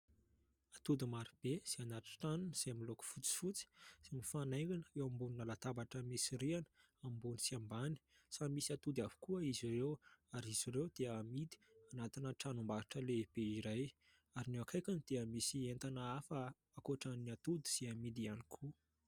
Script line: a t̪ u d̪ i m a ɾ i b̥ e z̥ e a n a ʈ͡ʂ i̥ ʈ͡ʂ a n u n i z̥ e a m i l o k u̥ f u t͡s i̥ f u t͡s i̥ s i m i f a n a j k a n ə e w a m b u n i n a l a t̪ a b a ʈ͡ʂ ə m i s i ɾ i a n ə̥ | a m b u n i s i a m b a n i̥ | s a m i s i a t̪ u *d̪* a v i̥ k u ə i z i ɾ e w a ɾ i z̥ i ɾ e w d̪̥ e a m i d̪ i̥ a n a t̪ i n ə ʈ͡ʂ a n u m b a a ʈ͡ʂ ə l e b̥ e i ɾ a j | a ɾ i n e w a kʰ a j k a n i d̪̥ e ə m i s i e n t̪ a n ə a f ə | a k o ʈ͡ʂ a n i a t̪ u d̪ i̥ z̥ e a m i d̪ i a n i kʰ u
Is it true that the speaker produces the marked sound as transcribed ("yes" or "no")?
yes